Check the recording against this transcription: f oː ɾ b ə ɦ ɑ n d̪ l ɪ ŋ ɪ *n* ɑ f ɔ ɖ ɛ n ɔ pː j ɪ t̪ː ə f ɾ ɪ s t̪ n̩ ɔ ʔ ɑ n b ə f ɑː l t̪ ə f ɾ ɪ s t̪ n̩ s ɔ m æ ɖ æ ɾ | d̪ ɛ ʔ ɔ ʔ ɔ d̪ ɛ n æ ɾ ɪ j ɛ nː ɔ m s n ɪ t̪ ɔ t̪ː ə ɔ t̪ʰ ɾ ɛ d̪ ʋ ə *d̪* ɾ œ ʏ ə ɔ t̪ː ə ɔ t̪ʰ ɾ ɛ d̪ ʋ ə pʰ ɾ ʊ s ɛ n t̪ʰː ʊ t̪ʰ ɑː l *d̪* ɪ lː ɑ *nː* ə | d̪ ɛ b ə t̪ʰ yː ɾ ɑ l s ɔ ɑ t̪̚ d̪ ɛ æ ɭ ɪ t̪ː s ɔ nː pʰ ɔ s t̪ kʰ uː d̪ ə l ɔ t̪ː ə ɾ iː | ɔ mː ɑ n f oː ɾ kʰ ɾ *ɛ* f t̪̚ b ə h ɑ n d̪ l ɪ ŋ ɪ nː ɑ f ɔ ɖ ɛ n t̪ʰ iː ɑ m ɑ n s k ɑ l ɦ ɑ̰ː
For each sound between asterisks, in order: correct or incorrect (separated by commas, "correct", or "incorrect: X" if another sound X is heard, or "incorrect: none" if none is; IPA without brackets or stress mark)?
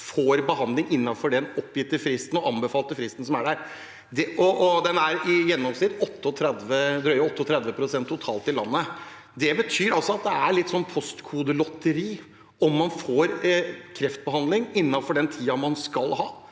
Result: incorrect: nː, correct, incorrect: t̪, correct, correct